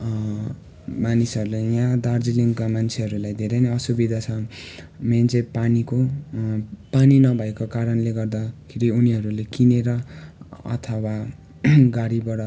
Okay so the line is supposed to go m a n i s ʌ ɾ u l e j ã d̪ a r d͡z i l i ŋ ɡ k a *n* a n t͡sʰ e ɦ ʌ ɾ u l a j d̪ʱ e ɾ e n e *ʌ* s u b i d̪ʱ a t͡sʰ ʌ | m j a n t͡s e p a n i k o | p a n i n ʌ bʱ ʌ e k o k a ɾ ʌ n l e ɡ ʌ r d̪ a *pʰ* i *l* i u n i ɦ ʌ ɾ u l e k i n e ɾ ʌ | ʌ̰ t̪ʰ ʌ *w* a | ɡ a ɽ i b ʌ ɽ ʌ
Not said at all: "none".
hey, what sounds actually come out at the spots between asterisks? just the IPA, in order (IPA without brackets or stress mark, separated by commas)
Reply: m, ʌ, kʰ, ɾ, w